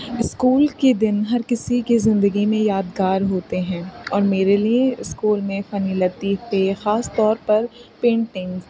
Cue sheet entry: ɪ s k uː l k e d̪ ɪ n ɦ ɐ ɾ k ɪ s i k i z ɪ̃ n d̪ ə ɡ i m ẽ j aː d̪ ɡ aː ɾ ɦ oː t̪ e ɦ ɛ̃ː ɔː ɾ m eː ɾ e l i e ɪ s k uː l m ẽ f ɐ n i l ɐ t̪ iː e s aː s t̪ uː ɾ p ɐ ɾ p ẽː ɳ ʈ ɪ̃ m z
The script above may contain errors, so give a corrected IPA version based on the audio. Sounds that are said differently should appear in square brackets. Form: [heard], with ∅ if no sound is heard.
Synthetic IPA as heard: ɪ s k uː l k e d̪ ɪ n ɦ ɐ ɾ k ɪ s i k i z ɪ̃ n d̪ ə ɡ i m ẽ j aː d̪ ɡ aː ɾ ɦ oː t̪ e ɦ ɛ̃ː ɔː ɾ m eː ɾ e l i e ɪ s k uː l m ẽ f ɐ n i l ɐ t̪ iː e [x] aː s t̪ [ɔː] ɾ p ɐ ɾ p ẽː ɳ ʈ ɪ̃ [ŋ] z